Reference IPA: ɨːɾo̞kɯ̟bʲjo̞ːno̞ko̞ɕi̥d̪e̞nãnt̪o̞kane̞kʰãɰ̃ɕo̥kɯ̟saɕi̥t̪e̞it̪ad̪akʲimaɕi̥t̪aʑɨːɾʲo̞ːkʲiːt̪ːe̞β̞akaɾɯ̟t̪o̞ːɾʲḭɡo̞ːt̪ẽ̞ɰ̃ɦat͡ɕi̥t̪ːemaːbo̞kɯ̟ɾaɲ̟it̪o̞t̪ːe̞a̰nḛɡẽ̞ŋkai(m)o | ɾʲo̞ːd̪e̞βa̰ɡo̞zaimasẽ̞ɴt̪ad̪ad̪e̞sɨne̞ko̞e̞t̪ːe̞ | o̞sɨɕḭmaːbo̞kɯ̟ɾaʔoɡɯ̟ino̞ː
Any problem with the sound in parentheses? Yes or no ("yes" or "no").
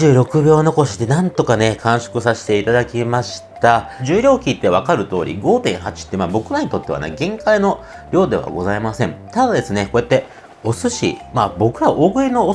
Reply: yes